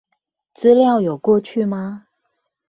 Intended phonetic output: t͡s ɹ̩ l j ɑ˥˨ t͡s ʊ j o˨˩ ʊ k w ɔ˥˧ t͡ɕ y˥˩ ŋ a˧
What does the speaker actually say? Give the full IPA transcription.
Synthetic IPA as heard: t͡s ɹ̩ l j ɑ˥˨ ʊ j o˨˩ ʊ k w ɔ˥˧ t͡ɕʰ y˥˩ m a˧